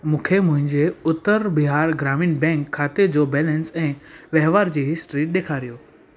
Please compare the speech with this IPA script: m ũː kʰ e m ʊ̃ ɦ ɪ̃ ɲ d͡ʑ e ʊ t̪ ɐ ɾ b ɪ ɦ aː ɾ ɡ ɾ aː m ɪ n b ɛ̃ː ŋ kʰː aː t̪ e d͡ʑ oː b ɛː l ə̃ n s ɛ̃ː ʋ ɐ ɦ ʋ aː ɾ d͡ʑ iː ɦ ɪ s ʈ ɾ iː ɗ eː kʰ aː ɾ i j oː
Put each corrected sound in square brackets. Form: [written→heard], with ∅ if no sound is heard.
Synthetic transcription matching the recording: m ũː kʰ e m ʊ̃ ɦ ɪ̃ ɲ d͡ʑ e ʊ t̪ [ɐ→ə] ɾ b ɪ ɦ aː ɾ ɡ ɾ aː m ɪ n b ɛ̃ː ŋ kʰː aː t̪ e d͡ʑ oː b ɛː l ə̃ n s ɛ̃ː ʋ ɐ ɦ ʋ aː ɾ d͡ʑ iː ɦ ɪ s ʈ ɾ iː ɗ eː kʰ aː ɾ i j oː